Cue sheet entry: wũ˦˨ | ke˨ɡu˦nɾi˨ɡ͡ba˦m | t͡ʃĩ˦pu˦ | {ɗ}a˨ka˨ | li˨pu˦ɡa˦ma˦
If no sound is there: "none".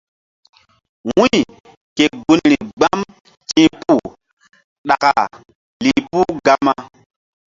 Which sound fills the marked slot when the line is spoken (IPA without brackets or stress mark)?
ɗ